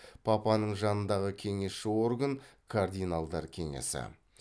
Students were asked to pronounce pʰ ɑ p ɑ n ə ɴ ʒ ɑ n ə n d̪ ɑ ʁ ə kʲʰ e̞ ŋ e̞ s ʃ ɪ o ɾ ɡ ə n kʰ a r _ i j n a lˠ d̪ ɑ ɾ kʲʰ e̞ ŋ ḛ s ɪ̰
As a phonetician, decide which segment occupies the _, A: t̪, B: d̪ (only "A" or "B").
B